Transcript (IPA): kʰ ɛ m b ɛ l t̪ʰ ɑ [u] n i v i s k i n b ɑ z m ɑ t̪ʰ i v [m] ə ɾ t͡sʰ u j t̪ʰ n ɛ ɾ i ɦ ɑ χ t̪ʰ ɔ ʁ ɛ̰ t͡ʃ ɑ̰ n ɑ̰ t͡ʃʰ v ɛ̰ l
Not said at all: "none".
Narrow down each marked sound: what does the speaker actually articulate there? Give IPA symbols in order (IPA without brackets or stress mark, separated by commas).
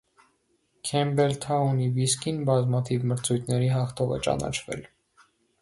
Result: u, m